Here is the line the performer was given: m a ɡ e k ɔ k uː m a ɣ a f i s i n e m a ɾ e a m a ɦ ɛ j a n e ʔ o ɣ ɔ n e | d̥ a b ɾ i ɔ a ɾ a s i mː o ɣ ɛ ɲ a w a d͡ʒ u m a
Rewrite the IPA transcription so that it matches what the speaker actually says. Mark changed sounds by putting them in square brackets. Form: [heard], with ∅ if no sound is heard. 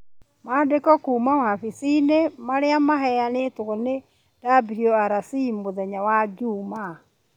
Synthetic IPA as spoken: m a [d] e k ɔ k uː m a [w] a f i s i n e m a ɾ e a m a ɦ ɛ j a n e [t] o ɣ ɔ n e | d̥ a b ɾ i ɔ a ɾ a s i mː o [ð] ɛ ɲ a w a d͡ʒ u m a